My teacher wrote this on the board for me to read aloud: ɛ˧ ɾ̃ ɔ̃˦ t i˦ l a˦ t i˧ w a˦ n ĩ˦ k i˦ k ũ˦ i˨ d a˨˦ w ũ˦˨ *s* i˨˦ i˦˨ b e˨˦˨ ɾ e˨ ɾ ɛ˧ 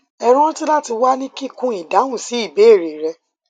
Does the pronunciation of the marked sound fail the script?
no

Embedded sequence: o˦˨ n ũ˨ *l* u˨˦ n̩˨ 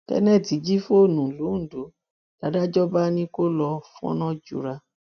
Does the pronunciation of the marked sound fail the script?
no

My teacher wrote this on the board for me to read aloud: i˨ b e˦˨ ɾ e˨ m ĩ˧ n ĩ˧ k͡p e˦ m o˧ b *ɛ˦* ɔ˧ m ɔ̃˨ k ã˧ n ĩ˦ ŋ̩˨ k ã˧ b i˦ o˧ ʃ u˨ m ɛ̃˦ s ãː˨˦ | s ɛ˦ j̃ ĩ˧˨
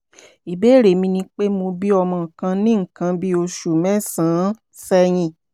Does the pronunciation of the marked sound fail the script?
yes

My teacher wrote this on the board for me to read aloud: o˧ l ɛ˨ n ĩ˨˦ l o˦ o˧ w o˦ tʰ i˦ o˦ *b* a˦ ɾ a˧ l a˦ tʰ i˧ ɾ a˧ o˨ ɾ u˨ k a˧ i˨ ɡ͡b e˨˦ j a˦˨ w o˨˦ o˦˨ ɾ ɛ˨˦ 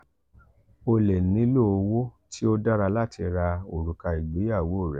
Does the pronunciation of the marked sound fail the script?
yes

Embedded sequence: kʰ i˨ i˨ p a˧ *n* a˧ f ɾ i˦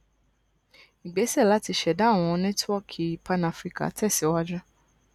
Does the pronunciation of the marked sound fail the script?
no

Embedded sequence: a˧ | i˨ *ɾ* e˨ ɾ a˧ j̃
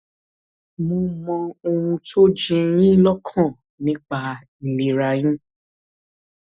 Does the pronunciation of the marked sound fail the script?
yes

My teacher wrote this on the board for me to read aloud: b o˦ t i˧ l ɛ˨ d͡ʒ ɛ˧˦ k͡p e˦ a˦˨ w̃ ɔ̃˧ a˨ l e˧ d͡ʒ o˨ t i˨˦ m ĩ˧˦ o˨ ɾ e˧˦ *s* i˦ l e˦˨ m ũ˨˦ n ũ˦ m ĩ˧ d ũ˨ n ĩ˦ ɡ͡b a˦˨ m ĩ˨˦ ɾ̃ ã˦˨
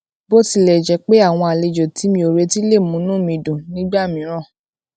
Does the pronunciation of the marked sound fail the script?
yes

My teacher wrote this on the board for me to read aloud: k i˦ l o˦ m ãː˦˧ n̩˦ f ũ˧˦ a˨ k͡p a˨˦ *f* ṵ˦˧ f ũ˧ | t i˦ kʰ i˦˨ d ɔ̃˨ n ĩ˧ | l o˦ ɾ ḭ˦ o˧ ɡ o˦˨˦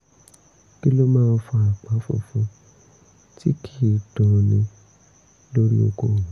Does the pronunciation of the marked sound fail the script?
no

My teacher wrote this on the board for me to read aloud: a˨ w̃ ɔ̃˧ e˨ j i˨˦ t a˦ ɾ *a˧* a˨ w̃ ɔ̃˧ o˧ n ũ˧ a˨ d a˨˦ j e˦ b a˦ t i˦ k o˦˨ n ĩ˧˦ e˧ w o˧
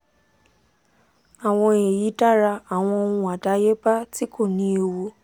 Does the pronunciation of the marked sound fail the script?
no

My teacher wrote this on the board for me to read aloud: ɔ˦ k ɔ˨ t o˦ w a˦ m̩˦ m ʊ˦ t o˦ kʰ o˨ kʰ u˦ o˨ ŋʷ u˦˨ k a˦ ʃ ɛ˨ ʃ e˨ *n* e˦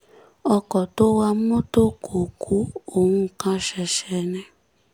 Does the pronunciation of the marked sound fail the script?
no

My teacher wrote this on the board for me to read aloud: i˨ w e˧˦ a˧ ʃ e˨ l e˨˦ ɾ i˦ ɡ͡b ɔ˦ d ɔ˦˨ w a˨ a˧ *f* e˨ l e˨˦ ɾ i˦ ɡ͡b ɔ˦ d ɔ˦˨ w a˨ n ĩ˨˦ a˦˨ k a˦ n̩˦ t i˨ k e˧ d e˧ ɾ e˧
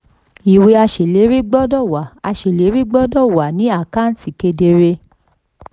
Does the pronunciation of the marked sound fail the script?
yes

